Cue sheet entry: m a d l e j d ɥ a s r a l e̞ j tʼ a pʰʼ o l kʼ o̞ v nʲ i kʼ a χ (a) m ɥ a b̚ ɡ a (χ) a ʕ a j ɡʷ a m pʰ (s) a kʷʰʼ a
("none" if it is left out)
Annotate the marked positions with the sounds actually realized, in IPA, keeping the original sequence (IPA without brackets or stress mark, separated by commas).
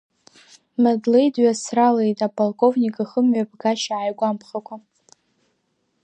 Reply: ə, ʃ, χ